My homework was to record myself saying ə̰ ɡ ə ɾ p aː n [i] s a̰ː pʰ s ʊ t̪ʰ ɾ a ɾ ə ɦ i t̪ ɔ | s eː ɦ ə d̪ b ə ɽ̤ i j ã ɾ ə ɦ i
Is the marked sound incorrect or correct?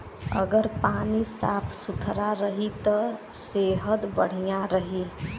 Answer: correct